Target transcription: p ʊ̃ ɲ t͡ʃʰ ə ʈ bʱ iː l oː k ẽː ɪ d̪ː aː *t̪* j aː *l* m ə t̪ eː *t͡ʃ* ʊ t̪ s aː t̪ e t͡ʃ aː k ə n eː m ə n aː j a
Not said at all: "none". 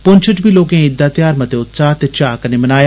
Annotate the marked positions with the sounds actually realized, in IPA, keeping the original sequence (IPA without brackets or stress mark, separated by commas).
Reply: t̪, ɾ, none